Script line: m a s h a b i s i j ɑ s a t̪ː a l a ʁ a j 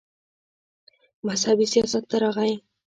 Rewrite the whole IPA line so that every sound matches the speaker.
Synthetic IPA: m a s h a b i s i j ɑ s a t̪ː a ɾ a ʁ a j